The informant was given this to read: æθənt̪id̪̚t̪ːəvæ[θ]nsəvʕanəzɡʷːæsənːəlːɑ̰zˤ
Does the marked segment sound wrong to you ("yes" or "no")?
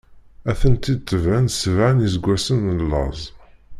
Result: yes